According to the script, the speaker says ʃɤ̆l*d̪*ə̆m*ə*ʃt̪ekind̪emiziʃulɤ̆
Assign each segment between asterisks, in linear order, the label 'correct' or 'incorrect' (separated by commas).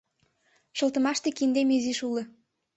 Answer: incorrect, incorrect